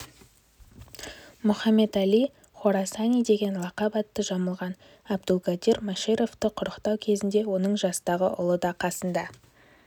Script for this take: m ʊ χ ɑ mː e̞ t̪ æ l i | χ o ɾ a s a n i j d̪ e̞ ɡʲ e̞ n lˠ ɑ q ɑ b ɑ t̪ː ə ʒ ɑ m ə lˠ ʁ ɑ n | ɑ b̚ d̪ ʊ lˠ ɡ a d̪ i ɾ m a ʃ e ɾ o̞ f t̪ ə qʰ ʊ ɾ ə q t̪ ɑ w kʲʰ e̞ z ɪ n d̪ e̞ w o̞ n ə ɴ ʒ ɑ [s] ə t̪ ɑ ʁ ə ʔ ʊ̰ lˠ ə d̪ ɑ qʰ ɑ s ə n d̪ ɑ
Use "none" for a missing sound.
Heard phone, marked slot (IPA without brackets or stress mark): s